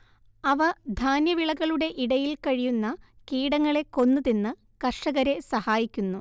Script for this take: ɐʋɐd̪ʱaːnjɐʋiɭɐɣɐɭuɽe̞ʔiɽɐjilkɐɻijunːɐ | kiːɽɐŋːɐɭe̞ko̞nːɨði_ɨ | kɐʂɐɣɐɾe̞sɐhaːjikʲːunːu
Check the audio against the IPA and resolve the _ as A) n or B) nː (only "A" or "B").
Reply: B